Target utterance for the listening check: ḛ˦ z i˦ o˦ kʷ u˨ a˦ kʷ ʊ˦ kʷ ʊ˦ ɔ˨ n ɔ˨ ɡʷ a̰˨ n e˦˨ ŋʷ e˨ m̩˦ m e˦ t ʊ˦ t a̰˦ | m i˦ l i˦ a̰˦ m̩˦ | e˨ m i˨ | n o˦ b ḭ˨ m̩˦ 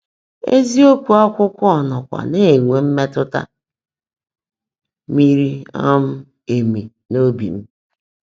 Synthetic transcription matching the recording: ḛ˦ z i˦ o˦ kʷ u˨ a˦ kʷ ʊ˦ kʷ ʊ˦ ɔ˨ n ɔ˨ kʷ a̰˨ n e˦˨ ŋʷ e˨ m̩˦ m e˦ t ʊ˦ t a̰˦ | m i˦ ɾ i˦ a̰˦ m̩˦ | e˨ m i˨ | n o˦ b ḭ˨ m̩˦